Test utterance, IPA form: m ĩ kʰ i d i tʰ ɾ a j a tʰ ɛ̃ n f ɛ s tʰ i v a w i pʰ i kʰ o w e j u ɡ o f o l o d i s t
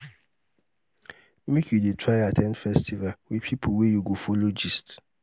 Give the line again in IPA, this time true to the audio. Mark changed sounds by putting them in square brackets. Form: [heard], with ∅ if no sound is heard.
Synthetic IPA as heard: m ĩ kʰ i d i tʰ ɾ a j a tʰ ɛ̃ n f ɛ s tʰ i v a w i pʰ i [pʰ] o w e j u ɡ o f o l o [d͡ʒ] i s t